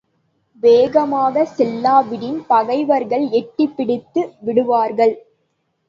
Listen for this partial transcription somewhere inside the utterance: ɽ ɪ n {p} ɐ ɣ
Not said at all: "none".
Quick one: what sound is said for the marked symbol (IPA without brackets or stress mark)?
p